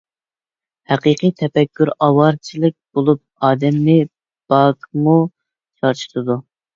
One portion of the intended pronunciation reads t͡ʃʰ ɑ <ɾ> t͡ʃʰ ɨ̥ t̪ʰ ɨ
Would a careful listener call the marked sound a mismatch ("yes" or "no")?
no